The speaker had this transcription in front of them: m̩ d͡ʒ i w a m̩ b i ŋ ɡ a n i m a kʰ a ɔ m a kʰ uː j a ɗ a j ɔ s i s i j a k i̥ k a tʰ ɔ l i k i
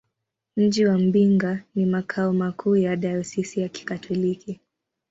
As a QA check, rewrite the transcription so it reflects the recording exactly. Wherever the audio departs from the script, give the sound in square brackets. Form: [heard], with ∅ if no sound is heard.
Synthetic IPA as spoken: m̩ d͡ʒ i w a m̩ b i ŋ ɡ a n i m a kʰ a ɔ m a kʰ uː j a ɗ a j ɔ s i s i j a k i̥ k a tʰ ɔ l i k i